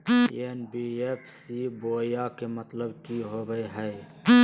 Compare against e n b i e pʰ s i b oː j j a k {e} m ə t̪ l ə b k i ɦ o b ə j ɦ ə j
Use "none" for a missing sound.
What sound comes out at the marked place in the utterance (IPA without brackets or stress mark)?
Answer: e